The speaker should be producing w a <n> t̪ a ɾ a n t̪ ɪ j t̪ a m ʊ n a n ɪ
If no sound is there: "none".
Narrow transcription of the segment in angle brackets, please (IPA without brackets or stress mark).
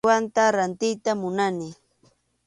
n